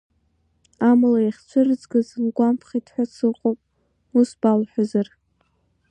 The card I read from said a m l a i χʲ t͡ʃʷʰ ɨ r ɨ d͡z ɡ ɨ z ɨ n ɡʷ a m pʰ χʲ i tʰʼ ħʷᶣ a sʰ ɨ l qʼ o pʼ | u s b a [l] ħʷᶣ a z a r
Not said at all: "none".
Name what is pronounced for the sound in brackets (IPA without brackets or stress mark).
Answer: l